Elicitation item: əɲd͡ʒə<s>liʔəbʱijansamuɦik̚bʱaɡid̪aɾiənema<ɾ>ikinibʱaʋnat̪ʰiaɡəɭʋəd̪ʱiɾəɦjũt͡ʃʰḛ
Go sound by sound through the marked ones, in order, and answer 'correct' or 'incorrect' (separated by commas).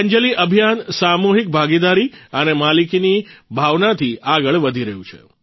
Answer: incorrect, incorrect